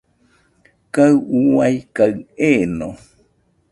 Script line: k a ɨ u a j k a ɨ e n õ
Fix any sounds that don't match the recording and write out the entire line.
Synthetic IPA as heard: k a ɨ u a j k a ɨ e n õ

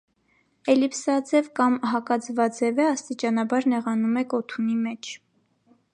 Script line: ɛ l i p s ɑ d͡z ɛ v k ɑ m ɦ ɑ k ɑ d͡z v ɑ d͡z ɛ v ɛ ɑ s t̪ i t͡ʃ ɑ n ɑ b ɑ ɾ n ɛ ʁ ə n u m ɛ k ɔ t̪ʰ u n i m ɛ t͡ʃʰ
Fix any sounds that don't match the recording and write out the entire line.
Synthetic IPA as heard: ɛ l i p s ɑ d͡z ɛ v k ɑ m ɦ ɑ k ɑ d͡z v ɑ d͡z ɛ v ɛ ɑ s t̪ i t͡ʃ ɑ n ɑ b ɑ ɾ n ɛ ʁ ɑ n u m ɛ k ɔ t̪ʰ u n i m ɛ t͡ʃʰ

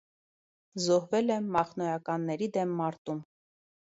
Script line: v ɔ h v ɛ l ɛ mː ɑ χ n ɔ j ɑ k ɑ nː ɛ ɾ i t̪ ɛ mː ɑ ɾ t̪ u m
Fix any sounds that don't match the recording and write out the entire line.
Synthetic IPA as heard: z ɔ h v ɛ l ɛ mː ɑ χ n ɔ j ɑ k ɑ nː ɛ ɾ i d̪ ɛ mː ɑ ɾ t̪ u m

